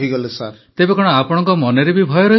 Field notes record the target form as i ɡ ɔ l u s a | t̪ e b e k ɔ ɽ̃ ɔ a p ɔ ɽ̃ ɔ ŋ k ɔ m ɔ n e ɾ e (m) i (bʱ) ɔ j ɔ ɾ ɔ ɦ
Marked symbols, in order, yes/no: no, yes

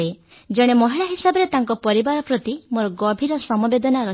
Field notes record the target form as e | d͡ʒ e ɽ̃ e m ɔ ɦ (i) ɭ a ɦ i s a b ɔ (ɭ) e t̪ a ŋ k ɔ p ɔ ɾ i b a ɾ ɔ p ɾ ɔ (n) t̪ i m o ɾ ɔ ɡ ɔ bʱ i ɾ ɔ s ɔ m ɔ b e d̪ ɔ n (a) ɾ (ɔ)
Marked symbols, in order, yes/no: yes, no, no, yes, yes

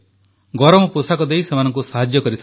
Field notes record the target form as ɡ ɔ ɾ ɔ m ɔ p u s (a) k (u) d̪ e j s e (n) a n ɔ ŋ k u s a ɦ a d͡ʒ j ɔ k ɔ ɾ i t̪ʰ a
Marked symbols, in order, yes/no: yes, no, no

